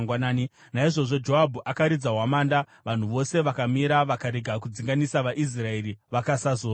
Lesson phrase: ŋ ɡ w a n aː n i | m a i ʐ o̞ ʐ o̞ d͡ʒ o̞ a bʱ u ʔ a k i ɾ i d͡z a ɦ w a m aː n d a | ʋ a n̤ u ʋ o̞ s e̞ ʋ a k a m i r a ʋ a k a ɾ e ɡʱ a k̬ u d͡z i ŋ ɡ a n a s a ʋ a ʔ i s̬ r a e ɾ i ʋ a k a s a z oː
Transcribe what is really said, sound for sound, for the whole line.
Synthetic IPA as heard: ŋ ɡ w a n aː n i | n a i ʐ o̞ ʐ o̞ d͡ʒ o̞ a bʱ u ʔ a k a ɾ i d͡z a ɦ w a m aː n d a | ʋ a n̤ u ʋ o̞ s e̞ ʋ a k a m i ɾ a ʋ a k a ɾ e ɡʱ a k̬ u d͡z i ŋ ɡ a n i s a ʋ a ʔ i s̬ r a e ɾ i ʋ a k a s a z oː